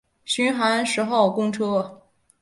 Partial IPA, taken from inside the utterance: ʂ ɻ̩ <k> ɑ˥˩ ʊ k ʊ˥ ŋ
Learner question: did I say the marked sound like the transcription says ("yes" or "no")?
no